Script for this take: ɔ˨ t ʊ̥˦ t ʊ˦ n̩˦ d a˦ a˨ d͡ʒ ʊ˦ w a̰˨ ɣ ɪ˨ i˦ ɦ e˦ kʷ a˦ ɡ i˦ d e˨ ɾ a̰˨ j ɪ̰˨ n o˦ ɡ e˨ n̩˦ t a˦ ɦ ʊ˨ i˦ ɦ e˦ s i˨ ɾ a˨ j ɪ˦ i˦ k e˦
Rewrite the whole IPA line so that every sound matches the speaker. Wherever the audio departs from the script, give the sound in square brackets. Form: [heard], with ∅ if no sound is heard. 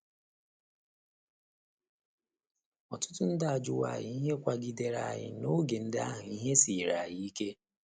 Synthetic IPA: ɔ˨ t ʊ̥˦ t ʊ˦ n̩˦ d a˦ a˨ d͡ʒ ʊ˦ w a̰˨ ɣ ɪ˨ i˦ ɦ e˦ kʷ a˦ ɡ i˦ d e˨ ɾ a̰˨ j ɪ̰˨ n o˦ ɡ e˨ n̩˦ [d] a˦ ɦ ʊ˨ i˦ ɦ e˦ s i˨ ɾ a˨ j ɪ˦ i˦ k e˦